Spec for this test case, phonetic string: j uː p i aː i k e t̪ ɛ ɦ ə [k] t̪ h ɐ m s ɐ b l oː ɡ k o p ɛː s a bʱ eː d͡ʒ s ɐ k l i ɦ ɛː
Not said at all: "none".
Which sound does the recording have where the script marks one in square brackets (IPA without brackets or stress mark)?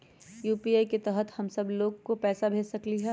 none